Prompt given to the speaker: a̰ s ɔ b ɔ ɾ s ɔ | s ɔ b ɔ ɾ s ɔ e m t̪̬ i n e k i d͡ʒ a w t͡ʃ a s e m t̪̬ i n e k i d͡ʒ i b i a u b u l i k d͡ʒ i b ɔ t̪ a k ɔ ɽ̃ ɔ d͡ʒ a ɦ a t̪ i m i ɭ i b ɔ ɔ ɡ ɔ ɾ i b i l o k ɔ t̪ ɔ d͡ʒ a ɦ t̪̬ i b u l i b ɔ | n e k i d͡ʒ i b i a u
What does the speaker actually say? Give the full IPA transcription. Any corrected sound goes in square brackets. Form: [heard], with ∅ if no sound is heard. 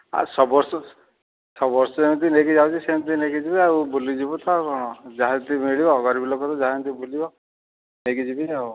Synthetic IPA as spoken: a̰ s ɔ b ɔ ɾ s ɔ | s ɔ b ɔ ɾ s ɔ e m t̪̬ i n e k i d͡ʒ a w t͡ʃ [i] s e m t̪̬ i n e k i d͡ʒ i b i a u b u l i [∅] d͡ʒ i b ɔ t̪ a k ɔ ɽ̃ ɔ d͡ʒ a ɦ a t̪ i m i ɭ i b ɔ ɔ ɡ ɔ ɾ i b i l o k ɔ t̪ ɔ d͡ʒ a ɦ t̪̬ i b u l i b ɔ | n e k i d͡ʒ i b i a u